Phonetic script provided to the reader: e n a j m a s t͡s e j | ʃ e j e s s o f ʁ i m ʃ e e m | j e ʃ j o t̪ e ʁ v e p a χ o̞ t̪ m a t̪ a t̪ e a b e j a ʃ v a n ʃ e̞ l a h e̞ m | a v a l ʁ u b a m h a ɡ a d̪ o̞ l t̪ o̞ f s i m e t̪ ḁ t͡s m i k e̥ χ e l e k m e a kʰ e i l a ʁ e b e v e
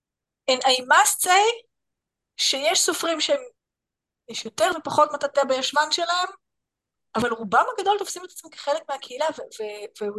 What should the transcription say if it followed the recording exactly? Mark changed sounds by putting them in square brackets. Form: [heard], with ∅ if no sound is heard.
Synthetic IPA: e n a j m a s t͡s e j | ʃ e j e [ʃ] s o f ʁ i m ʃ e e m | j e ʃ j o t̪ e ʁ v e p a χ o̞ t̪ m a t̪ a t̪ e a b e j a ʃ v a n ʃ e̞ l a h e̞ m | a v a l ʁ u b a m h a ɡ a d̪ o̞ l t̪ o̞ f s i m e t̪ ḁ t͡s m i k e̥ χ e l e k m e a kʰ e i l a [v] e [v] e v e